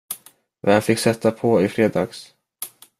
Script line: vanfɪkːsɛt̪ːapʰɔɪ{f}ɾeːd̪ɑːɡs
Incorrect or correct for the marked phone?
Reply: correct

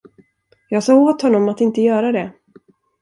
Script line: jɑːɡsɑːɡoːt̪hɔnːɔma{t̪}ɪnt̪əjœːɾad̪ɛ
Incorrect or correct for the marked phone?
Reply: correct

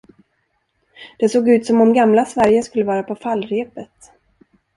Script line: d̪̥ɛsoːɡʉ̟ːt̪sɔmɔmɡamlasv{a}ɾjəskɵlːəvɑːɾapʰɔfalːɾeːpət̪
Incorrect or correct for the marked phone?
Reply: incorrect: æ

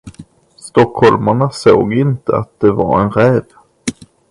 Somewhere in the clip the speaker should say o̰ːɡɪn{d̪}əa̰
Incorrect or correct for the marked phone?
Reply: incorrect: t̪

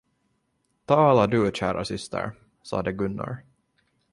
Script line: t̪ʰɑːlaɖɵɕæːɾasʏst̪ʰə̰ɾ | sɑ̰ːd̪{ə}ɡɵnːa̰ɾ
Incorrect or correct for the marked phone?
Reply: correct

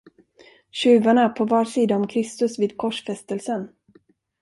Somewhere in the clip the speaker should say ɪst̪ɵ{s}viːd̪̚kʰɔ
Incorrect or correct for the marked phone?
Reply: correct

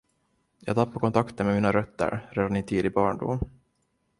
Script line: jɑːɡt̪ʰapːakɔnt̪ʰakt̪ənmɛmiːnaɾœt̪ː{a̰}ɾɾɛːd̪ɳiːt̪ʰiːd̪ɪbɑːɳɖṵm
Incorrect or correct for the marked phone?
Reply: incorrect: ə̰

